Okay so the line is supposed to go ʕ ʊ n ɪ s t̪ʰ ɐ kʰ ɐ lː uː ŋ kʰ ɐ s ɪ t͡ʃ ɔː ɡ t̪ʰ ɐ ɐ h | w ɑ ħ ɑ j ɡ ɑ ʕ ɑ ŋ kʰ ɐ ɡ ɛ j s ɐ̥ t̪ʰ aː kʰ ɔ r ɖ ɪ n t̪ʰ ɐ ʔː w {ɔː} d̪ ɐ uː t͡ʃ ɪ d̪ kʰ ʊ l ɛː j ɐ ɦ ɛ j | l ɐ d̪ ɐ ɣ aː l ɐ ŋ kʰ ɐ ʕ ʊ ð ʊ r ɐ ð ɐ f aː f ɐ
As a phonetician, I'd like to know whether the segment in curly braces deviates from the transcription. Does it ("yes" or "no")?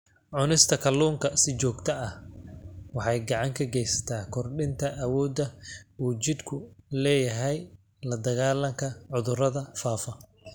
no